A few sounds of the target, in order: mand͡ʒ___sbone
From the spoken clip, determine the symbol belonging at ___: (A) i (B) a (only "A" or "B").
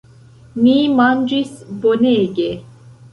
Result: A